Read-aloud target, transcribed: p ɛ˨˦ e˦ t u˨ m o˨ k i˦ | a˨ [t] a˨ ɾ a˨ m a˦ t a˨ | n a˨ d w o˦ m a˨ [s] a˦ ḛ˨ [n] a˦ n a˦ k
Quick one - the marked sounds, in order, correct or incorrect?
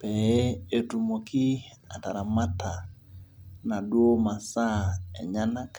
correct, correct, incorrect: ɲ

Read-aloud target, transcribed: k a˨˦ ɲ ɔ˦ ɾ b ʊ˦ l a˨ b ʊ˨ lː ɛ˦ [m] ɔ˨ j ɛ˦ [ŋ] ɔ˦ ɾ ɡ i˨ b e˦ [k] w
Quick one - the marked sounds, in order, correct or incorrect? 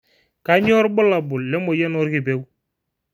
correct, incorrect: n, incorrect: none

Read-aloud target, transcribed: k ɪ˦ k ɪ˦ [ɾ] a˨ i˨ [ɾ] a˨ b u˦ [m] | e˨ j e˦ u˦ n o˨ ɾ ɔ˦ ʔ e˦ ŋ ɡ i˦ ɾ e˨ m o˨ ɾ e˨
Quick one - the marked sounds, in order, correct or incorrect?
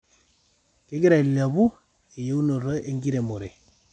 correct, incorrect: l, incorrect: none

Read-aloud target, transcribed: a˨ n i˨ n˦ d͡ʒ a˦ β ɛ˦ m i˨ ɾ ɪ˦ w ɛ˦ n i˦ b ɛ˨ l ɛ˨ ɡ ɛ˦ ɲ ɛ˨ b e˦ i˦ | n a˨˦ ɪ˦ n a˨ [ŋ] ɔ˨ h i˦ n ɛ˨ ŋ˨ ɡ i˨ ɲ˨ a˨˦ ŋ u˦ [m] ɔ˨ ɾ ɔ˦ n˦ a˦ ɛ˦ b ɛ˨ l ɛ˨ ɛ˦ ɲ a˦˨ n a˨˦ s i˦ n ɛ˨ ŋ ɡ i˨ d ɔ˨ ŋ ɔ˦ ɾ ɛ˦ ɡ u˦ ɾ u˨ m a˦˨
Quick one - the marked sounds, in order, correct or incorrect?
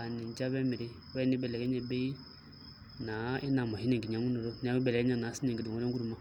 incorrect: m, incorrect: n

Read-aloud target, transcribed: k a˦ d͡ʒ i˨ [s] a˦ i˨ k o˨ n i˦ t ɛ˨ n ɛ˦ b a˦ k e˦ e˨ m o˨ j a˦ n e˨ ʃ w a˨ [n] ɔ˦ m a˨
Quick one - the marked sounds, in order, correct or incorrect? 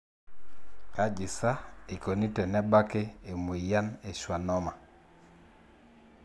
correct, correct

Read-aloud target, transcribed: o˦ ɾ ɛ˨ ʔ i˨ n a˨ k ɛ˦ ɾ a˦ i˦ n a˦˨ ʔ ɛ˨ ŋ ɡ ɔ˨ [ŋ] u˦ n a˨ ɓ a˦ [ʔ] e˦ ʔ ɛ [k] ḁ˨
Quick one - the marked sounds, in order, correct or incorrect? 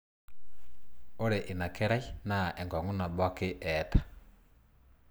correct, incorrect: k, incorrect: t

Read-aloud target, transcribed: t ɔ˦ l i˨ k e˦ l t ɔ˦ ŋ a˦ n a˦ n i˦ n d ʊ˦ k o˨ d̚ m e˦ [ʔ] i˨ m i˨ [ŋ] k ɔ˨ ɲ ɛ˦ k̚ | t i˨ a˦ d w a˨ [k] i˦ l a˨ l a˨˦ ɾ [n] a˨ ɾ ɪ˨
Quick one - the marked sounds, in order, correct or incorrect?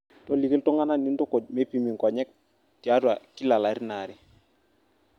incorrect: p, correct, correct, correct

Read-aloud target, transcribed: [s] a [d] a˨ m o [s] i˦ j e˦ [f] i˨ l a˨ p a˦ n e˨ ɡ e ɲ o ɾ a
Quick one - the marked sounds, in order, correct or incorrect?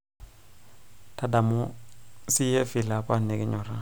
incorrect: t, correct, correct, correct

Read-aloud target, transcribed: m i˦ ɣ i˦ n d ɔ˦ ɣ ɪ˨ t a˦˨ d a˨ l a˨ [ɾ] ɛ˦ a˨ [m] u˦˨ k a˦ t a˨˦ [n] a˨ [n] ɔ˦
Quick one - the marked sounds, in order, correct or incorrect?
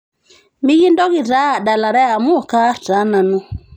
correct, correct, correct, correct

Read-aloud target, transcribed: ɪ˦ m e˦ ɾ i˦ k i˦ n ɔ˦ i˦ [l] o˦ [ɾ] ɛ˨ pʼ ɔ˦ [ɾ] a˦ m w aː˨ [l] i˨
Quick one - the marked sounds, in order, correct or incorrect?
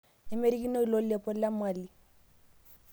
correct, incorrect: l, incorrect: l, correct

